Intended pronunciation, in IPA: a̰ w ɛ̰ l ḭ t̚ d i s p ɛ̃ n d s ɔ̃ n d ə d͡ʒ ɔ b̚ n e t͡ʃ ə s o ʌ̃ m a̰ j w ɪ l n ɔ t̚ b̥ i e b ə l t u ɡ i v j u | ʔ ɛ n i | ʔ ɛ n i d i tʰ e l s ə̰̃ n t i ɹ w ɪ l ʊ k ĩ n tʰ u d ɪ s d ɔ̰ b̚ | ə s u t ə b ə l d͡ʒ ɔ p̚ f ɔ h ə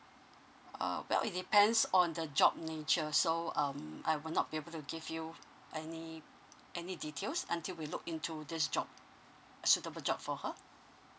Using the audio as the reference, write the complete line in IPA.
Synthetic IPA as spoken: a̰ w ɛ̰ l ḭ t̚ d i p ɛ̃ n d s ɔ̃ n d ə d͡ʒ ɔ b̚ n e t͡ʃ ə s o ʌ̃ m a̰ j w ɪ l n ɔ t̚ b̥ i e b ə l t u ɡ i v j u | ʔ ɛ n i | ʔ ɛ n i d i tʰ e l s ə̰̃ n t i l w i l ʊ k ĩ n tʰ u d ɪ s d͡ʒ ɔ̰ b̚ | ə s u t ə b ə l d͡ʒ ɔ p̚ f ɔ h ə